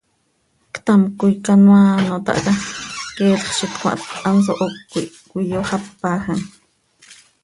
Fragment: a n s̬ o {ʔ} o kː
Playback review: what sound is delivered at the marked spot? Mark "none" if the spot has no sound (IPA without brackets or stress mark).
ʔ